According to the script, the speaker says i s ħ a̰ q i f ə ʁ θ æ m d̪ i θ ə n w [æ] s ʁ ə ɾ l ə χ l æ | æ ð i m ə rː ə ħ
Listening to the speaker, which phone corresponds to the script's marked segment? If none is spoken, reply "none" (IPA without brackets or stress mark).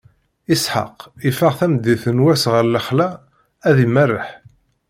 æ